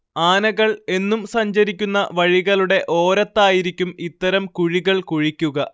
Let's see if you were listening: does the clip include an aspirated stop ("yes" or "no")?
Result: no